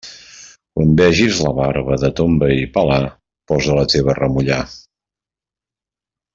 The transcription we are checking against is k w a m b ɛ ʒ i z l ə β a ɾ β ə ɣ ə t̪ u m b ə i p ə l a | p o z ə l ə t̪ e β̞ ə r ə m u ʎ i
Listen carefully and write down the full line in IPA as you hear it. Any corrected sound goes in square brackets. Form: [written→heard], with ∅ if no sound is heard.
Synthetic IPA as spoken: k w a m b ɛ ʒ i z l ə β a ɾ β ə [ɣ→ð] ə t̪ [u→o] m b ə i p ə l a | p [o→ɔ] z ə l ə t̪ e β̞ ə r ə m u ʎ [i→a]